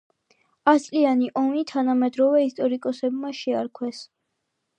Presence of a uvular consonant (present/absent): absent